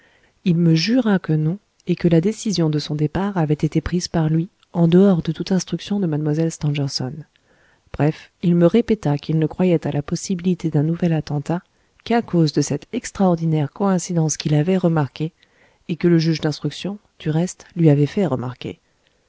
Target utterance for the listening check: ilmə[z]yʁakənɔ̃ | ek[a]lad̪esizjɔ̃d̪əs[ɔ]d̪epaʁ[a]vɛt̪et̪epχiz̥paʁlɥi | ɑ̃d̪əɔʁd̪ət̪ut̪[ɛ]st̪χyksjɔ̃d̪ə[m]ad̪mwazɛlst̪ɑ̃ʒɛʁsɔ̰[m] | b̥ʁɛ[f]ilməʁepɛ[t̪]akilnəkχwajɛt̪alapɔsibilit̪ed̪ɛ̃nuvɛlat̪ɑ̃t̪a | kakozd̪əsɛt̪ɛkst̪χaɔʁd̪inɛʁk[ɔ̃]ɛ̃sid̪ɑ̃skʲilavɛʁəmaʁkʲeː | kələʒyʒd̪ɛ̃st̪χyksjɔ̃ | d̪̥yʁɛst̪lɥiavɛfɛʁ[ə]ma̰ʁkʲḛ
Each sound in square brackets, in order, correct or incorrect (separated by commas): incorrect, incorrect, incorrect, correct, incorrect, correct, incorrect, correct, correct, incorrect, correct